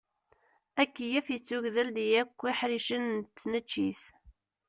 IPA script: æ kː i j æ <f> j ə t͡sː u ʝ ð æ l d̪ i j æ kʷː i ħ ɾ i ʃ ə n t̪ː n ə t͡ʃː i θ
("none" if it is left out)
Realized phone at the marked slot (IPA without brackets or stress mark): f